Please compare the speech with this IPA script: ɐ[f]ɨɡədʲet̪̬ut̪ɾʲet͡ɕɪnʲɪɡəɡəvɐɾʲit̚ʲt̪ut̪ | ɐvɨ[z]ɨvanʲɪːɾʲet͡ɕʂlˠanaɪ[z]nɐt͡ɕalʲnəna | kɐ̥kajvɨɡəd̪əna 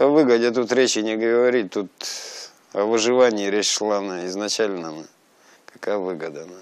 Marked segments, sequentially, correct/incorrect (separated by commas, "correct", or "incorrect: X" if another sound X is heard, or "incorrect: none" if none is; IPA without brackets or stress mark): incorrect: v, incorrect: ʐ, correct